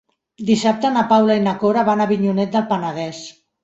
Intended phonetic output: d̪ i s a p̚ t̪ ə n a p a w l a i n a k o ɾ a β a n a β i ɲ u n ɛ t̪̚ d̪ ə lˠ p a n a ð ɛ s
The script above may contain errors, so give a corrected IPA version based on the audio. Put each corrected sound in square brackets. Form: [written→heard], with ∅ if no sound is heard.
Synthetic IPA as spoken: d̪ i s a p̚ t̪ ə n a p a w l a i n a k o ɾ a β a n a β i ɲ u n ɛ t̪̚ d̪ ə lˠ p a n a ð ɛ s